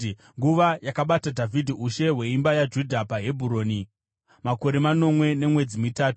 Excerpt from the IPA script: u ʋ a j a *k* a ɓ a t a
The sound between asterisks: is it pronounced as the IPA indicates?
yes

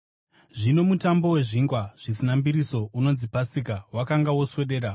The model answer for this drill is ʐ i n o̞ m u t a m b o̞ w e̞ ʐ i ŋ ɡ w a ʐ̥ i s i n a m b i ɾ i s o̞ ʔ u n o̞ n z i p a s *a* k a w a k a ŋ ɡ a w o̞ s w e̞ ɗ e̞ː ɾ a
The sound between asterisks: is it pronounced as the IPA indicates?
no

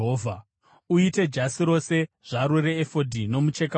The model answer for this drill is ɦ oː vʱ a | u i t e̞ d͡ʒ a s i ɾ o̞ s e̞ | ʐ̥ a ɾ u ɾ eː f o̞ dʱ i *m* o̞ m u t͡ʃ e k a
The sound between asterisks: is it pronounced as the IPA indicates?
no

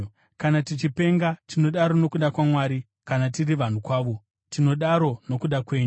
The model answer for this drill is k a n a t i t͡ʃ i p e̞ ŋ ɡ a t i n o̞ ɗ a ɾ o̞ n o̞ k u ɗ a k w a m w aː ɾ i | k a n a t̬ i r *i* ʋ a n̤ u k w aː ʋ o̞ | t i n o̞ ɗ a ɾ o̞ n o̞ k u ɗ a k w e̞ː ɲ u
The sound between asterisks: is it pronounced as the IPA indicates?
yes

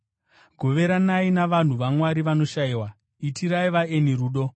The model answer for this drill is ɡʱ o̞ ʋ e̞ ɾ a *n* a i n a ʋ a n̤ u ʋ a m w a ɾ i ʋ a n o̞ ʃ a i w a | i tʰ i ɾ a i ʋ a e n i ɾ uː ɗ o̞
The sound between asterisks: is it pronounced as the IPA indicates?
yes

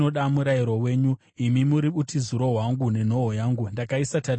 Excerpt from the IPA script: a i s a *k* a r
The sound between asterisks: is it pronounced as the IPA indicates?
no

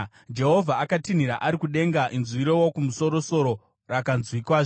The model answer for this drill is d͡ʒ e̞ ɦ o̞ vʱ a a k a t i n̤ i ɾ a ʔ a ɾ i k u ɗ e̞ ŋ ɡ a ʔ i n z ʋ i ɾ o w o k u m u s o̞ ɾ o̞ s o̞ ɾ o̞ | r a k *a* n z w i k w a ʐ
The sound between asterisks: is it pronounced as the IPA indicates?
yes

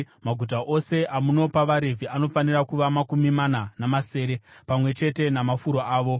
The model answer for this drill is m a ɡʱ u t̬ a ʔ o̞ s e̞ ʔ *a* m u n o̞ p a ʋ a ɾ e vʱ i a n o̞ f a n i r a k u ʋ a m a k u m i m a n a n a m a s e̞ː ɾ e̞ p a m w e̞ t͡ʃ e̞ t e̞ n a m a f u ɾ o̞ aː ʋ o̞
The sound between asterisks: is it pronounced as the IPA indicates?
yes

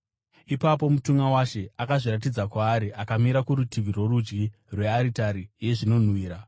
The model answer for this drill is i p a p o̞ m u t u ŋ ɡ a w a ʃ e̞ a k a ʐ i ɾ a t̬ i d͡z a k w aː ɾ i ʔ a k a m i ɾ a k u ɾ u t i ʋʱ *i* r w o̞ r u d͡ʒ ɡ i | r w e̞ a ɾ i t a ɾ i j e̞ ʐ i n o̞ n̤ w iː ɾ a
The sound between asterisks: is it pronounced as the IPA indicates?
yes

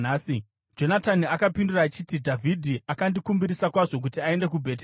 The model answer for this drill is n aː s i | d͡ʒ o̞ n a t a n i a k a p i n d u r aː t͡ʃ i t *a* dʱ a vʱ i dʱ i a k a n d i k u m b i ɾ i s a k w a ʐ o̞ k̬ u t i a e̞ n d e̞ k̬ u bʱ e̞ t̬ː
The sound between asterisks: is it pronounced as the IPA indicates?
no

